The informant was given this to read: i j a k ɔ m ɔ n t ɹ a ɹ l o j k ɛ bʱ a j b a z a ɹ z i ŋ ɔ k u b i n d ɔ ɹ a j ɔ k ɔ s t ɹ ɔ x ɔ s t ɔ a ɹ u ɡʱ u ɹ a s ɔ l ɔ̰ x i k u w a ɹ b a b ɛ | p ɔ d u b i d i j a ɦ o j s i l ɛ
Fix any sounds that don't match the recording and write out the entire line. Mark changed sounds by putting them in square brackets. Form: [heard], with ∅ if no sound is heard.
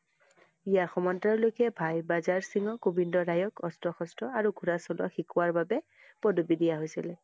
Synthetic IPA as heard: i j a [x] ɔ m ɔ n t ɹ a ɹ l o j k ɛ bʱ a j b a z a ɹ [s] i ŋ ɔ k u b i n d ɔ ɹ a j ɔ k ɔ s t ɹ ɔ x ɔ s t ɔ a ɹ u ɡʱ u ɹ a s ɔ l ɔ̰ x i k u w a ɹ b a b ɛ | p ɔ d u b i d i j a ɦ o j s i l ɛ